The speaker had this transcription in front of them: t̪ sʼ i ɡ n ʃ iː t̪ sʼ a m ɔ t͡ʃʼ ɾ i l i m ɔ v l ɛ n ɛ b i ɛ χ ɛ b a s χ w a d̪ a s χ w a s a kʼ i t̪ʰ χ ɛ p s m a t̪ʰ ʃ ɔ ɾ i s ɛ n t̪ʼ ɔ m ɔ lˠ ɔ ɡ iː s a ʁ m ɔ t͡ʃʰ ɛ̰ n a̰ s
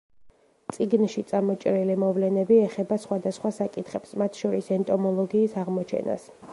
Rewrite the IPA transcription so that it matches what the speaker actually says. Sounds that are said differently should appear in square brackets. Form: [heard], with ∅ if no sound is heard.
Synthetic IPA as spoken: t̪ sʼ i ɡ n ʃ [i] t̪ sʼ a m ɔ t͡ʃʼ ɾ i l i m ɔ v l ɛ n ɛ b i ɛ χ ɛ b a s χ w a d̪ a s χ w a s a kʼ i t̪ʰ χ ɛ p s m a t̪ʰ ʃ ɔ ɾ i s ɛ n t̪ʼ ɔ m ɔ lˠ ɔ ɡ iː s a ʁ m ɔ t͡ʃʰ ɛ̰ n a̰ s